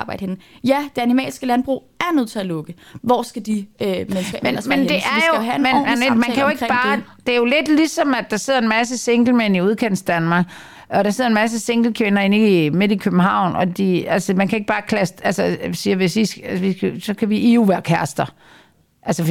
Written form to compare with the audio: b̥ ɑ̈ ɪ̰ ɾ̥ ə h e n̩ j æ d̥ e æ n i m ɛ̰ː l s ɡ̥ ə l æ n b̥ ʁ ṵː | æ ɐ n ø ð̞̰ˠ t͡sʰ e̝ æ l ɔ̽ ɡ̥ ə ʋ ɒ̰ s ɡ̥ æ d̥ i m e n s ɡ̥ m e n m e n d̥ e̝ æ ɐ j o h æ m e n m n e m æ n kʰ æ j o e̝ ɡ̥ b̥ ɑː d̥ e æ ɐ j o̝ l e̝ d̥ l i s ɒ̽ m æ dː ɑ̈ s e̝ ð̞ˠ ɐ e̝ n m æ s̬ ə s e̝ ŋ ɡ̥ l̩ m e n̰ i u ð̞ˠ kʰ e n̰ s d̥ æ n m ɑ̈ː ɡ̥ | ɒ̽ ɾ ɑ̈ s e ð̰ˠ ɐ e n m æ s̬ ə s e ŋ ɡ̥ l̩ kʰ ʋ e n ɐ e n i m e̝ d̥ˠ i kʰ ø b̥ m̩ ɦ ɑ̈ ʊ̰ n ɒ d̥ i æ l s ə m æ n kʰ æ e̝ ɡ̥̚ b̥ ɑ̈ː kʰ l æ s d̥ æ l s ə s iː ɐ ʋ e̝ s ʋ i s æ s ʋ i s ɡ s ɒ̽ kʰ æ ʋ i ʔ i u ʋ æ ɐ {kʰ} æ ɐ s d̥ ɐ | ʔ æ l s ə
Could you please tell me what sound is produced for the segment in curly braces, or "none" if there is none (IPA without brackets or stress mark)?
kʰ